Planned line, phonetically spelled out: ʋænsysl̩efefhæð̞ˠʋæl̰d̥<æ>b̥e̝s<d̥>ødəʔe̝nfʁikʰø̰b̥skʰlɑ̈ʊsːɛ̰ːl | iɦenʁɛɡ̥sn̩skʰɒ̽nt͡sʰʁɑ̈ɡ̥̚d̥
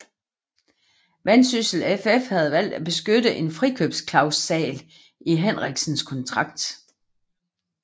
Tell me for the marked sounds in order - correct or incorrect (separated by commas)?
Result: correct, incorrect